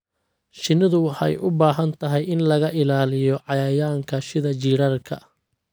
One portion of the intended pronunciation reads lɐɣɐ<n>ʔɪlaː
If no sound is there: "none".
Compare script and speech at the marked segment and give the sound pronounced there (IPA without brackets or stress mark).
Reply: none